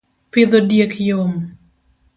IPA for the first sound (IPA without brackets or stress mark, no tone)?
p